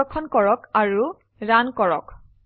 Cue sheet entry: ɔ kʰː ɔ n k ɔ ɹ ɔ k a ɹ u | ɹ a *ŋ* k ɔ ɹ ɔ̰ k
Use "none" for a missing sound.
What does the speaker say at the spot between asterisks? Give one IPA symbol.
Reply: n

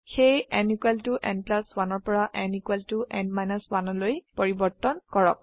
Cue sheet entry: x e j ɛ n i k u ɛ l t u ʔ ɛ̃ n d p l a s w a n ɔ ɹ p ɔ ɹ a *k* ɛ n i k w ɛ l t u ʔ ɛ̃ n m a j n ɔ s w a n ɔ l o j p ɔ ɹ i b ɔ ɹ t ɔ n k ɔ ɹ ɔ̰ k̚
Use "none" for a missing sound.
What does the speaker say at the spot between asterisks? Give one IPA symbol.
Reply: ʔ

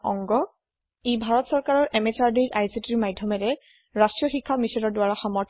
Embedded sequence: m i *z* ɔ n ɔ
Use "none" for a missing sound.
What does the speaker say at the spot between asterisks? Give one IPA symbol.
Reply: s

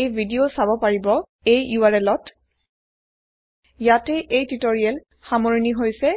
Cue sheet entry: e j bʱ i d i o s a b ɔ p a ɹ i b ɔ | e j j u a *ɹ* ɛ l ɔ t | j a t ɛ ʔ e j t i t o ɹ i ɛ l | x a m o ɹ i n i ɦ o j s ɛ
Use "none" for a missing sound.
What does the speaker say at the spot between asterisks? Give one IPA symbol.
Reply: ɹ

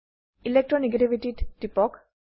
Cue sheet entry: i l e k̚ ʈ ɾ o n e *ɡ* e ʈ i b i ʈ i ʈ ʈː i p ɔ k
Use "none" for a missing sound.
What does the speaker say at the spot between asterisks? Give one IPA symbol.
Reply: ɡ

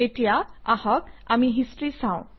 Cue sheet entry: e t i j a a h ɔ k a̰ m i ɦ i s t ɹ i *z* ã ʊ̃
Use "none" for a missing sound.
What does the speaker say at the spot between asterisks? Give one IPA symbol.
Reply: s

